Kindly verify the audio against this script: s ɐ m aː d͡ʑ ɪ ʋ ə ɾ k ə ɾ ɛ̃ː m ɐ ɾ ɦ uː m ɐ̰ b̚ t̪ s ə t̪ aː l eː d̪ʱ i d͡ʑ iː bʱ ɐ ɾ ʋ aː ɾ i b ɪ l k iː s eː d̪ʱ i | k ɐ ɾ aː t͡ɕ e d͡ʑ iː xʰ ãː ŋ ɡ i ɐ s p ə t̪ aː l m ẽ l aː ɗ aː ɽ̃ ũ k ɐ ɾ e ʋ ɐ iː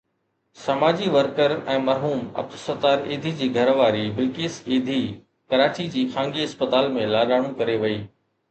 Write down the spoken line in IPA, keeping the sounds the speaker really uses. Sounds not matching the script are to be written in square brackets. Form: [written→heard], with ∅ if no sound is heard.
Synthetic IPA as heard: s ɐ m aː d͡ʑ [ɪ→i] ʋ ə ɾ k ə ɾ ɛ̃ː m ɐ ɾ ɦ uː m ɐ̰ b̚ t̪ s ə t̪ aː [l→ɾ] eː d̪ʱ i d͡ʑ iː [bʱ→ɡʱ] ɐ ɾ ʋ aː ɾ i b ɪ l k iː s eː d̪ʱ i | k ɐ ɾ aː t͡ɕ [e→i] d͡ʑ iː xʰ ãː ŋ ɡ i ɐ s p ə t̪ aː l m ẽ l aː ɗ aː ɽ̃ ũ k ɐ ɾ e ʋ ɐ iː

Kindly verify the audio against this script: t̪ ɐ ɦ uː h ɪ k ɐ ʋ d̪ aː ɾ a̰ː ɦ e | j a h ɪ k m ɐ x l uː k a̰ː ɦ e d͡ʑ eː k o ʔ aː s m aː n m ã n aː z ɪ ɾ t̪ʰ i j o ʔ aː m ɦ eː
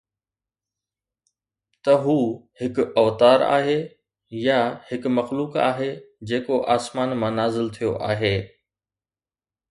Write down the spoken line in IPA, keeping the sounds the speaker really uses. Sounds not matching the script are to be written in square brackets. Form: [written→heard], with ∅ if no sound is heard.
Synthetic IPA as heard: t̪ ɐ ɦ uː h ɪ k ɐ ʋ [d̪→t̪] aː ɾ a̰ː ɦ e | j a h ɪ k m ɐ x l uː k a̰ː ɦ e d͡ʑ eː k o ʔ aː s m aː n m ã n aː z ɪ [ɾ→l] t̪ʰ i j o ʔ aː [m→∅] ɦ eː

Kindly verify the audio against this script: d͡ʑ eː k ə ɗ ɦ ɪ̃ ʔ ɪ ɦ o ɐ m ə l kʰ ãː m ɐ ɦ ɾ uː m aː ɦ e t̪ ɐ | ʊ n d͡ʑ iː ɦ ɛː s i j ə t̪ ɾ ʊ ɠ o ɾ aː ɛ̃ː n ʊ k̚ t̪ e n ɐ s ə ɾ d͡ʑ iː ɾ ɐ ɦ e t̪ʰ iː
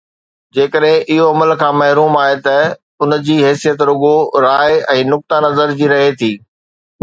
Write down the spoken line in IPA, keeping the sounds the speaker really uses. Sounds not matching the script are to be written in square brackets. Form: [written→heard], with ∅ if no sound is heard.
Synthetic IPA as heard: d͡ʑ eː k ə ɗ ɦ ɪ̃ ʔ ɪ ɦ o ɐ m ə l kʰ ãː m ɐ ɦ ɾ uː m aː ɦ e t̪ ɐ | ʊ n d͡ʑ iː ɦ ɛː s i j ə t̪ ɾ ʊ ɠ o ɾ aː ɛ̃ː n ʊ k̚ t̪ [e→a] n ɐ [s→z] ə ɾ d͡ʑ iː ɾ ɐ ɦ e t̪ʰ iː

